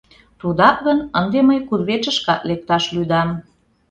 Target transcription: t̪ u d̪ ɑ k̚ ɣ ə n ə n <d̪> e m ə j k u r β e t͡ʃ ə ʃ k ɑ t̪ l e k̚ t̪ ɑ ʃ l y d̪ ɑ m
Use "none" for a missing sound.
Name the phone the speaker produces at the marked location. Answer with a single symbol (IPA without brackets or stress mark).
d̪